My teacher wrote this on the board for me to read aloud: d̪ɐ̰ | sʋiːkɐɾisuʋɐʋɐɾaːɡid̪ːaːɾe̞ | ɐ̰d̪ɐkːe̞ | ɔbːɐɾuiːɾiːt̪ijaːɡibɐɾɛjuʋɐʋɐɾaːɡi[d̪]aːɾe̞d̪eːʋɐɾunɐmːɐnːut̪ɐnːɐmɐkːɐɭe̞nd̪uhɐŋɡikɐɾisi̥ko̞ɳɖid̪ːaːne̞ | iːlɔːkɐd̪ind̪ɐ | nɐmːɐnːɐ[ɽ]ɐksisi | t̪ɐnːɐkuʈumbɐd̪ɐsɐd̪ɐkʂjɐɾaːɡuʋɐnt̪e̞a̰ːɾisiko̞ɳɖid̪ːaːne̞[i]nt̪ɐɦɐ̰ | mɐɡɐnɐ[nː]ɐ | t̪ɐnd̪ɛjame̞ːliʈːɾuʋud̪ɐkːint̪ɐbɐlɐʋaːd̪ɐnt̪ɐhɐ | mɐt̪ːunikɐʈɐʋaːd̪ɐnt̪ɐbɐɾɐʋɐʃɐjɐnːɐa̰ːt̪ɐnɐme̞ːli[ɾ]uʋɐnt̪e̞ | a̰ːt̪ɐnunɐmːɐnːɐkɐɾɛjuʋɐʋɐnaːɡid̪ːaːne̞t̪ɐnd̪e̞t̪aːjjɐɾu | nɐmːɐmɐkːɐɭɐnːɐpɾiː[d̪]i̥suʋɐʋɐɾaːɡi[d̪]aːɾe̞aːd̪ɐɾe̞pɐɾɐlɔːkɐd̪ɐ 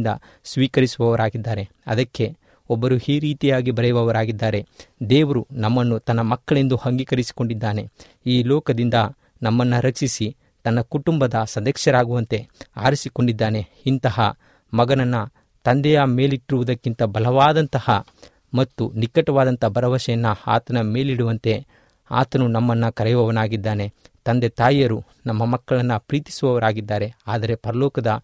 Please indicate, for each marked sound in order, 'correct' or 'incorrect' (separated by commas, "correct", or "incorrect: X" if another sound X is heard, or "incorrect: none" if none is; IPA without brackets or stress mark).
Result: incorrect: d̪ː, incorrect: ɾ, correct, correct, incorrect: ɽ, incorrect: t̪, incorrect: d̪ː